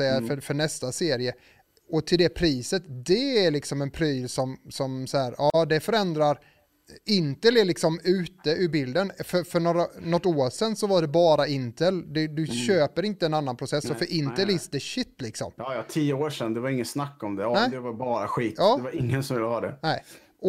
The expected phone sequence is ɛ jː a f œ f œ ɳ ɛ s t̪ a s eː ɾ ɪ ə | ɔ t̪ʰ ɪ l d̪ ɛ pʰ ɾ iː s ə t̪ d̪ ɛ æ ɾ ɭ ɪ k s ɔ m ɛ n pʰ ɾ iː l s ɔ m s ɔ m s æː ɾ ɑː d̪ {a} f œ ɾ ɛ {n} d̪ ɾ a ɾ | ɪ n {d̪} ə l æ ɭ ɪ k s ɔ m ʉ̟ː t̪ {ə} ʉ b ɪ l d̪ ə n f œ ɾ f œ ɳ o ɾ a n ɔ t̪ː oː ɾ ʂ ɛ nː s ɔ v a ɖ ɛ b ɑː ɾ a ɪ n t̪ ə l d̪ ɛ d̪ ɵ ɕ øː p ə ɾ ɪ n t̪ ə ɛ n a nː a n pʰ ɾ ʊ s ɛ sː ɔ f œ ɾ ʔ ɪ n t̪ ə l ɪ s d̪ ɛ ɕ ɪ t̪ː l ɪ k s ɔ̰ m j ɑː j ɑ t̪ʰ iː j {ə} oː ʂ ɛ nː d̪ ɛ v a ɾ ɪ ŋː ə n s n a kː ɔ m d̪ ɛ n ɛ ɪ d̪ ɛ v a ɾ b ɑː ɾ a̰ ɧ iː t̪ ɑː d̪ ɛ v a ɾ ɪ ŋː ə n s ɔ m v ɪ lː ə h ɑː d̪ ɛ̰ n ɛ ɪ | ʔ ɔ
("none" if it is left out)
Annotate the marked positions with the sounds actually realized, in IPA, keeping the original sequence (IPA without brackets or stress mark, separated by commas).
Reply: ɛ, n, t̪, ə, ə